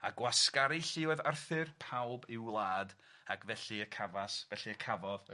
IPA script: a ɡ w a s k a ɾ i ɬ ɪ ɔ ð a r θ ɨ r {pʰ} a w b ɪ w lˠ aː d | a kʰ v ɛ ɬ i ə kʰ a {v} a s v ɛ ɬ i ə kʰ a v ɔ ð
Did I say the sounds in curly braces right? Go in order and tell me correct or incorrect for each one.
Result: correct, correct

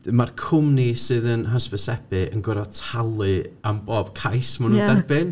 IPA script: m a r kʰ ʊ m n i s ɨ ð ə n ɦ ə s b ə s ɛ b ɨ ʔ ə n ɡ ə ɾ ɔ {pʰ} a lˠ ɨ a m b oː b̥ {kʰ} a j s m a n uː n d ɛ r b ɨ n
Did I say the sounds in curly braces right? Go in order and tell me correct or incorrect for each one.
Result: incorrect, correct

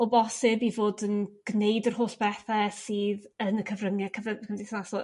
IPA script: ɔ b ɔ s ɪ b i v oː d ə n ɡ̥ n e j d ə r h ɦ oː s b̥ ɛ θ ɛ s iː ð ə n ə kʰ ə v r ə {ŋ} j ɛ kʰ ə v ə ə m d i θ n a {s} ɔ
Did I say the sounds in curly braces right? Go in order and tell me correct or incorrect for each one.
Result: correct, correct

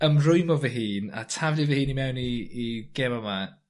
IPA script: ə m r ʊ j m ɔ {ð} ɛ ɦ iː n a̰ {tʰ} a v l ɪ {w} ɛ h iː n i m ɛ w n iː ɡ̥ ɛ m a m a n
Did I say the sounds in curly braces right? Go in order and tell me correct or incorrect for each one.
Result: incorrect, correct, incorrect

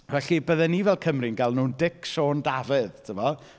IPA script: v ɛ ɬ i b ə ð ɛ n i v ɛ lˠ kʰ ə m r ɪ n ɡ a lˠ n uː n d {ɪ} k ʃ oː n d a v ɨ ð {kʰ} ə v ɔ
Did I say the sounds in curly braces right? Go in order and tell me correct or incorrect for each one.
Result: correct, incorrect

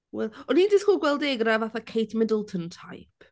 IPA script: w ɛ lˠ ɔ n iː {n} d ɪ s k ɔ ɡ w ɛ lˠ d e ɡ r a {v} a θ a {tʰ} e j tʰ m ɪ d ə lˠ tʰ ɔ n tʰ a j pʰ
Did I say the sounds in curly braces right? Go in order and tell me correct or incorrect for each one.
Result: correct, correct, incorrect

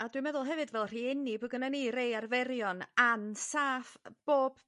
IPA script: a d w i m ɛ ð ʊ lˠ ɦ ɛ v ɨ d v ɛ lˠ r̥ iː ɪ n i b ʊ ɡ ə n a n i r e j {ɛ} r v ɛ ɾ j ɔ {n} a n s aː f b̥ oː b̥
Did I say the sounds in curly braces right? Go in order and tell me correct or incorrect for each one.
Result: incorrect, correct

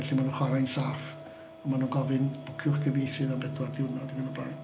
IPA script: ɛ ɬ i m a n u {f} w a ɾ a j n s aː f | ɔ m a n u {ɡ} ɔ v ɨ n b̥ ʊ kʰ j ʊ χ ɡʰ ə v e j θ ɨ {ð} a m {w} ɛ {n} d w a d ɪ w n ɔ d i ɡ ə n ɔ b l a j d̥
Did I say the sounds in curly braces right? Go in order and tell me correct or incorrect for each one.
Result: incorrect, correct, correct, incorrect, incorrect

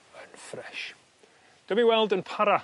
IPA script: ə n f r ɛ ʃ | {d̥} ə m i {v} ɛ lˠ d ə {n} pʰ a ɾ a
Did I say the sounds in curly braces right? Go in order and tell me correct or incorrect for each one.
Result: correct, incorrect, correct

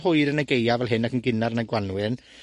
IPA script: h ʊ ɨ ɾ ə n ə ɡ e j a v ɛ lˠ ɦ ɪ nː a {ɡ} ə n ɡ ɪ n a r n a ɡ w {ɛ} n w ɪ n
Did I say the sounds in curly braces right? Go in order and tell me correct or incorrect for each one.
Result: incorrect, incorrect

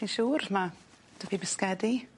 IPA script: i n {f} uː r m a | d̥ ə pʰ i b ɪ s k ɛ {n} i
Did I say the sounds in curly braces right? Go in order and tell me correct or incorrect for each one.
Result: incorrect, incorrect

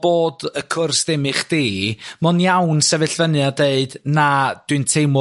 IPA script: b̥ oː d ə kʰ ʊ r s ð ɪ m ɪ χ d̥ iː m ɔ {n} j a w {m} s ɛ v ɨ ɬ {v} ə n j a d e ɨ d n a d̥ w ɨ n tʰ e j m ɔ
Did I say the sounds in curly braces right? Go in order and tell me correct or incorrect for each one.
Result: correct, incorrect, correct

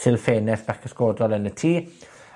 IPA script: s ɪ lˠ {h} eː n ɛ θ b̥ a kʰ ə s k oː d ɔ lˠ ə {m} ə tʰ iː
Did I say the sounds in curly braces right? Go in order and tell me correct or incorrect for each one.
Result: incorrect, incorrect

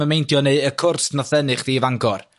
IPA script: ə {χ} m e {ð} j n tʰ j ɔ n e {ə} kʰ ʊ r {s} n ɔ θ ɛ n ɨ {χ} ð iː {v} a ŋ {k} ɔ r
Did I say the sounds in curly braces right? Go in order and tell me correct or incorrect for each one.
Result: incorrect, incorrect, correct, correct, correct, correct, incorrect

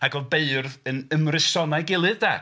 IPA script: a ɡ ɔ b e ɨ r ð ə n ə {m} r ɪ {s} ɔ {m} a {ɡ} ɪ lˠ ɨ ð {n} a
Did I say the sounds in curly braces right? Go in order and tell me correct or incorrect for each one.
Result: correct, correct, incorrect, correct, incorrect

